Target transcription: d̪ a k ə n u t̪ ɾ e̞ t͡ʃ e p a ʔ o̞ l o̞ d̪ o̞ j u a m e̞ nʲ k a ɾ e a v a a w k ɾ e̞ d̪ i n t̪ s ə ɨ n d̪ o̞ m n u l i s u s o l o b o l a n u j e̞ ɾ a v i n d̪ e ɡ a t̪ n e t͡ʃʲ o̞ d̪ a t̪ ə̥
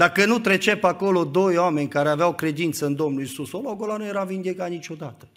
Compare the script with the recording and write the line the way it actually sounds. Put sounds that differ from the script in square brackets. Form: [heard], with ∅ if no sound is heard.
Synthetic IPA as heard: d̪ a k ə n u t̪ ɾ e̞ t͡ʃ e p a [k] o̞ l o̞ d̪ o̞ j [o] a m e̞ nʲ k a ɾ e a v [e] a w k ɾ e̞ d̪ i n t̪ s ə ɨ n d̪ o̞ m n u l i s u s o l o [ɡ] o l a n u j e̞ ɾ a v i n d̪ e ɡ a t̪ n [i] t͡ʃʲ o̞ d̪ a t̪ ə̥